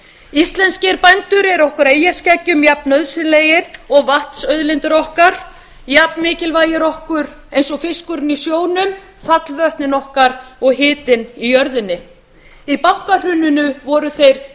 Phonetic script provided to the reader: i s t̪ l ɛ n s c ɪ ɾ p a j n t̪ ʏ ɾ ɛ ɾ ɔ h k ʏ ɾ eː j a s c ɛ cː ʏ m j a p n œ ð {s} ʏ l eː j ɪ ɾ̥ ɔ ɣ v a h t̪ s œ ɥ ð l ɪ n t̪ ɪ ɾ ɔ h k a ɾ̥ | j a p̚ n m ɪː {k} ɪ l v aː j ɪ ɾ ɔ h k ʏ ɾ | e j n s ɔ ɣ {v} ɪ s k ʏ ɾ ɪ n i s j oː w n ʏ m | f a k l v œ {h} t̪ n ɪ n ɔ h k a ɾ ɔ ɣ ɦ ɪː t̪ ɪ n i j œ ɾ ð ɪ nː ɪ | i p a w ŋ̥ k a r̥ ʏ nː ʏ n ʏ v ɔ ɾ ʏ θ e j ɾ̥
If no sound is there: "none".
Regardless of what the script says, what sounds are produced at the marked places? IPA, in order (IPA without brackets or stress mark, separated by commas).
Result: s, c, f, h